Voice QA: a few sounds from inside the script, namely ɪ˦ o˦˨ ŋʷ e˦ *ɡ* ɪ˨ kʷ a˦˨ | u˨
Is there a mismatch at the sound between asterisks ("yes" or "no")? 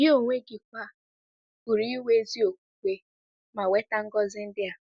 no